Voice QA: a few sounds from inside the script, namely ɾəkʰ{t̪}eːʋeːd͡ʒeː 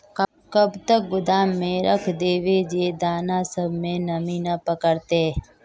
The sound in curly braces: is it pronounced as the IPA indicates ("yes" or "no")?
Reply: no